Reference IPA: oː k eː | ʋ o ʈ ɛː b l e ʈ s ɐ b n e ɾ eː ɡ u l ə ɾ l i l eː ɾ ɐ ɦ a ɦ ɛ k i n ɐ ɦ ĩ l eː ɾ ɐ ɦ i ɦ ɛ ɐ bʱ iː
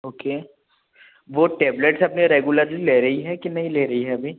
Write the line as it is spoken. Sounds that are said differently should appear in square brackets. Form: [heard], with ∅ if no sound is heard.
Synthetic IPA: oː k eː | ʋ o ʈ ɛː b l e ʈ s ɐ [p] n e ɾ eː ɡ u l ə ɾ l i l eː ɾ ɐ ɦ [i] ɦ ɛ k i n ɐ ɦ ĩ l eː ɾ ɐ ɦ i ɦ ɛ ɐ bʱ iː